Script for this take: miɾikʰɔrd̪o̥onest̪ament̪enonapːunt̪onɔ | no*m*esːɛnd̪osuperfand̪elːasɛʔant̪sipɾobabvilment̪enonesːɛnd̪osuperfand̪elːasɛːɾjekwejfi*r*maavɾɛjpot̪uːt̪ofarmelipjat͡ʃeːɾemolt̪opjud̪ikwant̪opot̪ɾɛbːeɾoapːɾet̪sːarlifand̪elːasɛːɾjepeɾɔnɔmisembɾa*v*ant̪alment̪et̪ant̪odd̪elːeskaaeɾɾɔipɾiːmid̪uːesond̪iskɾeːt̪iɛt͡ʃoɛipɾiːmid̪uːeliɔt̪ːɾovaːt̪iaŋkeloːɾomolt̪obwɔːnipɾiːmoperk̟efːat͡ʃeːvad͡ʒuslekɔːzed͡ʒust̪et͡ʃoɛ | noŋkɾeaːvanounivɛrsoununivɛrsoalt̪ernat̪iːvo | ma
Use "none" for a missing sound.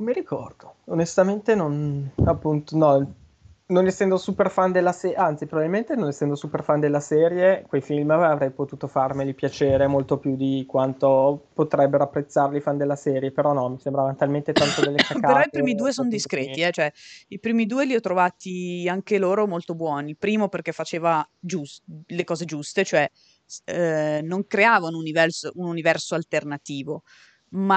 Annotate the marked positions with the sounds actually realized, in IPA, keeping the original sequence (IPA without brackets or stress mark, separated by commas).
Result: n, l, v